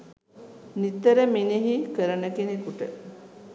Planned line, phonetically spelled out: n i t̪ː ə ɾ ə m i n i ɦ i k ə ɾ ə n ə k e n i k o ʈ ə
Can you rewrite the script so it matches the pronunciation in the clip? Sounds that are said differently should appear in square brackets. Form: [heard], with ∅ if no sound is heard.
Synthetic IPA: n i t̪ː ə ɾ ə m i n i ɦ i k ə ɾ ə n ə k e n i k [u] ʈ ə